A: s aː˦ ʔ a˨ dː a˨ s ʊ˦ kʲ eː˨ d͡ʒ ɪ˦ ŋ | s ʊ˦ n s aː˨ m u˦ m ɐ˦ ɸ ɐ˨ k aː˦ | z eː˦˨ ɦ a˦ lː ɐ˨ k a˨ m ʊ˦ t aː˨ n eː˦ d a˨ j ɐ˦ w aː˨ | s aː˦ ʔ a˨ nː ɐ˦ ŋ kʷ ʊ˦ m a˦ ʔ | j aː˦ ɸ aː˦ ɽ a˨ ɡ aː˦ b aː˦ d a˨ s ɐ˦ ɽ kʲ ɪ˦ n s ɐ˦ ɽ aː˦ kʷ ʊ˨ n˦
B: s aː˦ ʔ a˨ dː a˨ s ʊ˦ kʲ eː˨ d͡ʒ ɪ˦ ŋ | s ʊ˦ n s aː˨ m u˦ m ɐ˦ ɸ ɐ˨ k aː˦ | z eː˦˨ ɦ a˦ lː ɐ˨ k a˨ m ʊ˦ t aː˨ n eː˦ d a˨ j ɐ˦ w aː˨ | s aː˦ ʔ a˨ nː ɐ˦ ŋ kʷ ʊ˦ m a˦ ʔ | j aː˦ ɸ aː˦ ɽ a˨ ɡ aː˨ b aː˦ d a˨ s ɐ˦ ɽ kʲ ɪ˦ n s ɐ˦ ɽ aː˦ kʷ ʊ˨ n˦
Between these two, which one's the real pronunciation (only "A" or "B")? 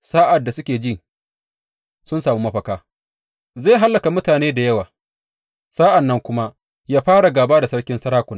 B